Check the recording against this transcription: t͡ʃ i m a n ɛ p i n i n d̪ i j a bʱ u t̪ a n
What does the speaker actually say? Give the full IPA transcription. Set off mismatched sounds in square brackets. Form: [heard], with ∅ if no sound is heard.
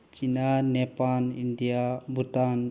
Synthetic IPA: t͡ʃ i [n] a n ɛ p [a] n i n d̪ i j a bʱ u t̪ a n